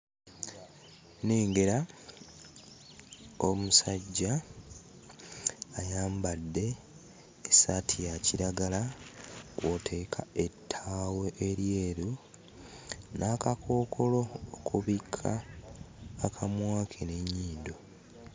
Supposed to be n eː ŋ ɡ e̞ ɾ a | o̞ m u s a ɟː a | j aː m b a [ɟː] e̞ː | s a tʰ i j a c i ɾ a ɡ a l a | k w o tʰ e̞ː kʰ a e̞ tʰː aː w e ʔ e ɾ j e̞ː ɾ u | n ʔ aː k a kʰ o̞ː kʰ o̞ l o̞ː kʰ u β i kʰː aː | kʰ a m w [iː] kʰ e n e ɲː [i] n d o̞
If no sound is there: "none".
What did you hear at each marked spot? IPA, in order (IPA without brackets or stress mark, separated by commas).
dː, aː, iː